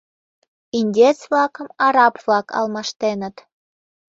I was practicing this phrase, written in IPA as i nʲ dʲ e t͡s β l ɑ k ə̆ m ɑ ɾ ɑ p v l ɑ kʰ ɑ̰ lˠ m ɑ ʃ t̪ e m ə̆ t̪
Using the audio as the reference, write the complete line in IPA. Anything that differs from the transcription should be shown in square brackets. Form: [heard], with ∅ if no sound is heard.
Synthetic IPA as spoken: i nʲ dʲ e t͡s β l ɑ k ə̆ m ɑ ɾ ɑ p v l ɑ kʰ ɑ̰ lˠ m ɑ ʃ t̪ e [n] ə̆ t̪